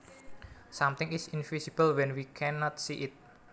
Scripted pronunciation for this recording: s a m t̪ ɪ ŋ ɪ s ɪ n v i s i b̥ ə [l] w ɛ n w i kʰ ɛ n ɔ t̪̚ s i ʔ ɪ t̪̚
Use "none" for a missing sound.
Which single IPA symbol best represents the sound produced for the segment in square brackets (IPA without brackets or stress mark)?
l